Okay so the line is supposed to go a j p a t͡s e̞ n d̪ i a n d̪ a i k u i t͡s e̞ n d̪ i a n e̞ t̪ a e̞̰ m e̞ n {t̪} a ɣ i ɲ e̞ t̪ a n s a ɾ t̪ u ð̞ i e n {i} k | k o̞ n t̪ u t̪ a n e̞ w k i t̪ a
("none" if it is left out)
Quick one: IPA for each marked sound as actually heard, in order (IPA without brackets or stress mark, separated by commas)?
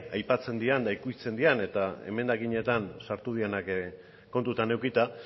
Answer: d̪, a